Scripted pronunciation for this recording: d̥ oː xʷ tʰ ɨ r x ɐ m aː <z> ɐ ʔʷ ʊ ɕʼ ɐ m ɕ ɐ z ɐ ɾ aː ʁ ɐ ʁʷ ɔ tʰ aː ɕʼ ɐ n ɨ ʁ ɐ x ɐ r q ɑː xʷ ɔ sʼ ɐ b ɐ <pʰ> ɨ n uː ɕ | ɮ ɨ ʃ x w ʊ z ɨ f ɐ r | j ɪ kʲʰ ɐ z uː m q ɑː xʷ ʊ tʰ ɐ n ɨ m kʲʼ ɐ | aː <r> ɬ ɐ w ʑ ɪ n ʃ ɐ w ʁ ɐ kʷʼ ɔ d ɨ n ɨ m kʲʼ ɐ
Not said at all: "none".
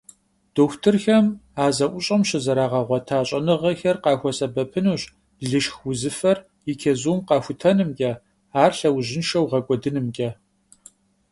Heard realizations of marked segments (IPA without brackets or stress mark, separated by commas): z, pʰ, r